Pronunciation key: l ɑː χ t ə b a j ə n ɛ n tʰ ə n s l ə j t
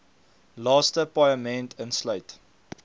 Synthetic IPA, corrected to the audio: l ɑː s t ə p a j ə m ɛ n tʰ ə n s l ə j t